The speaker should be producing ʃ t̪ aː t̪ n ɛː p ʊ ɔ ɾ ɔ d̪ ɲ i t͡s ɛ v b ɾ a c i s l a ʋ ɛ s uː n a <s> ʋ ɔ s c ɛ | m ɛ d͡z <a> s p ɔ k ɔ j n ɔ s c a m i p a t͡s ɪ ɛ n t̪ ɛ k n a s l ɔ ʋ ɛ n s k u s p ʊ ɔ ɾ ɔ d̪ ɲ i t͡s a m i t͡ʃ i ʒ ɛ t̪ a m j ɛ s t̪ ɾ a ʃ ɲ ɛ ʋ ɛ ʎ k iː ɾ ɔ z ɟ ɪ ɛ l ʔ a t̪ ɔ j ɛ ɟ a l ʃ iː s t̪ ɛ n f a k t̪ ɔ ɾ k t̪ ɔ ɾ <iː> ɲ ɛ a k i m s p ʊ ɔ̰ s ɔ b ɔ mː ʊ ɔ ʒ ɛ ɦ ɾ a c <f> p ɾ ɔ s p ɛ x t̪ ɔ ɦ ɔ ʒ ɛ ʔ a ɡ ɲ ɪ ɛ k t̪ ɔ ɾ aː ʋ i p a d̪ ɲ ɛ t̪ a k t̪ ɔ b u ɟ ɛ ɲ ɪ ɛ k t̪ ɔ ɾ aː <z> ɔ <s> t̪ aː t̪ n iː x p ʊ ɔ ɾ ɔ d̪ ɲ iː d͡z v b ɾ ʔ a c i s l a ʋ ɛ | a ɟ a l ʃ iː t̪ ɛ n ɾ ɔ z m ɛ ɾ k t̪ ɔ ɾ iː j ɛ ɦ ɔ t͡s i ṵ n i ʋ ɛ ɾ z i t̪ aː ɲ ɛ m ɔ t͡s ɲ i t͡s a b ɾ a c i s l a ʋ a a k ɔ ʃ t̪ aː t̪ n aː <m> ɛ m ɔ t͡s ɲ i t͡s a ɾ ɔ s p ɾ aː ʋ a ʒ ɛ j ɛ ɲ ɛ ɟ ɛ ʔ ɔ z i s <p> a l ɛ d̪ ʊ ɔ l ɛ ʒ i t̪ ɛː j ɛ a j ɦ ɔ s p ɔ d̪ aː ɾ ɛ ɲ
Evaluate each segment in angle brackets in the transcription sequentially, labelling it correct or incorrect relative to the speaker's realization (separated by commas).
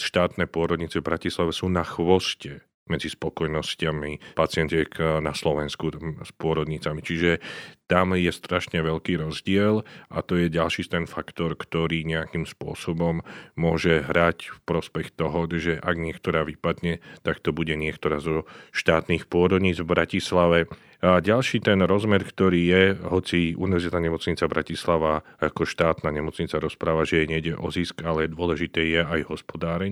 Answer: incorrect, incorrect, correct, correct, correct, incorrect, incorrect, incorrect